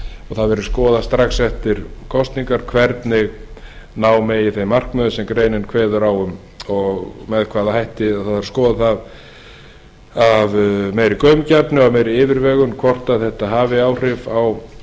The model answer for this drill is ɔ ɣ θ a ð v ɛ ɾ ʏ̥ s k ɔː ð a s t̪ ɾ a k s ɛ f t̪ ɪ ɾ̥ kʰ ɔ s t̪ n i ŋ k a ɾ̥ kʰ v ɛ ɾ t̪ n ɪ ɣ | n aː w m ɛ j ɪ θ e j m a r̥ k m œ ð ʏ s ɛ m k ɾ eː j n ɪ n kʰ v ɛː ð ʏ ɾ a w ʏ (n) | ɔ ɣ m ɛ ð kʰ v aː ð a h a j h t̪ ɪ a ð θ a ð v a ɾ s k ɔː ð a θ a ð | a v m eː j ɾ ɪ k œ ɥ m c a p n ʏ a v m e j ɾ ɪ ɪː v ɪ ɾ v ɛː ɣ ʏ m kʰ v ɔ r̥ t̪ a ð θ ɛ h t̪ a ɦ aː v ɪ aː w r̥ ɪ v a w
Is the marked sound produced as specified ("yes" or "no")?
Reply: no